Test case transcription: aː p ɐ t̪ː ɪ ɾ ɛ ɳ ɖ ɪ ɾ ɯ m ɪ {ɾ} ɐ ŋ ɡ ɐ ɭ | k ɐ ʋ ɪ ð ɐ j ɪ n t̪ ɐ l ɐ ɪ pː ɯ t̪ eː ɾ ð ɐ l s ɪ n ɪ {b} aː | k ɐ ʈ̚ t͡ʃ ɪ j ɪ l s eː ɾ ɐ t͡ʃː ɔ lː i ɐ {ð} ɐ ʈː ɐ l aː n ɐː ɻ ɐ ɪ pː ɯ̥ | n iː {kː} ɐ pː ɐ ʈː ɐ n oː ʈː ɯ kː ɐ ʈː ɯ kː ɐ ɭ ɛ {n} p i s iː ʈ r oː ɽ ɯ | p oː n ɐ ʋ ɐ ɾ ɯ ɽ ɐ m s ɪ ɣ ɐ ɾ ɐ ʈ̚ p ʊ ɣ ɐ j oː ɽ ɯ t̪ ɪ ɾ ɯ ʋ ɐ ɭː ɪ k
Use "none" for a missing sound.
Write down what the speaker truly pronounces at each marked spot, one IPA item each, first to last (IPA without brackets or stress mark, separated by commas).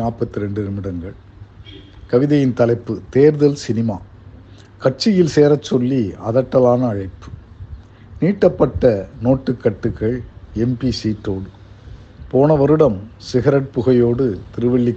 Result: ɽ, m, ð, ʈː, m